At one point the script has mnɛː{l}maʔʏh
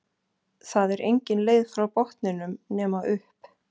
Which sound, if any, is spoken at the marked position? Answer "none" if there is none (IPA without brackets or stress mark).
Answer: none